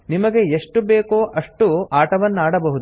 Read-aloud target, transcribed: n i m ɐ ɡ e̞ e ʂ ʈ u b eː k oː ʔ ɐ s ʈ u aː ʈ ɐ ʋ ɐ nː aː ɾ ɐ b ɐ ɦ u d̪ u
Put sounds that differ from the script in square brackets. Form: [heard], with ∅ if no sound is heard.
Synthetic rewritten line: n i m ɐ ɡ e̞ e ʂ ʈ u b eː k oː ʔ ɐ [ʂ] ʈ u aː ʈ ɐ ʋ ɐ nː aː [ɽ] ɐ b ɐ ɦ u d̪ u